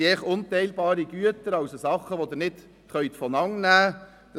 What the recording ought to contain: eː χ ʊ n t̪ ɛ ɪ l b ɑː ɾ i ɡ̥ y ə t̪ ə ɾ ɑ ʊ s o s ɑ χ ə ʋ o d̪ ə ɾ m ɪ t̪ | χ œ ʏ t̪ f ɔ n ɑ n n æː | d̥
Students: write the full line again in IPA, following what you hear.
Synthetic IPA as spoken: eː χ ʊ n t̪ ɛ ɪ l b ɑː ɾ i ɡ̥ y ə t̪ ə ɾ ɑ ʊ s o s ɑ χ ə ʋ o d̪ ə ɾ n ɪ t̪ | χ œ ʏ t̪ f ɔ n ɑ ŋ n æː | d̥